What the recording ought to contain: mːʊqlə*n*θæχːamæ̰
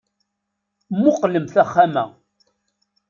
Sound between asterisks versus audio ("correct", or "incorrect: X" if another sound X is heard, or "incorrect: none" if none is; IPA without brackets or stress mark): incorrect: m